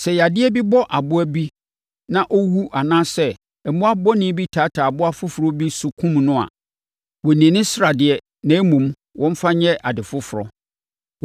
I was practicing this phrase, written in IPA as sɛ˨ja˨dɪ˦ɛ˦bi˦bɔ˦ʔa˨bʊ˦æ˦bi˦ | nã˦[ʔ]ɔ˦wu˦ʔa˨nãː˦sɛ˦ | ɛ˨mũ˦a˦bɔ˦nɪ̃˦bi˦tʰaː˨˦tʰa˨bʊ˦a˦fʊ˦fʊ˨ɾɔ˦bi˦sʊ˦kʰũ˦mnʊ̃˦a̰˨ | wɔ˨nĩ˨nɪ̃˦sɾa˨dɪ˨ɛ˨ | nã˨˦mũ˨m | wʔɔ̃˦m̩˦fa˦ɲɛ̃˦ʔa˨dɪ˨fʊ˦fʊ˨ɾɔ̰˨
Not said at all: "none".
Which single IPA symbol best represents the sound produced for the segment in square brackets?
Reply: ʔ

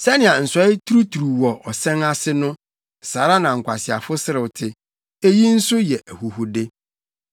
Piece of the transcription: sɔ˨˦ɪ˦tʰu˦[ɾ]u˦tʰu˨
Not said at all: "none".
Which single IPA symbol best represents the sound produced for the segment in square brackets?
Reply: ɾ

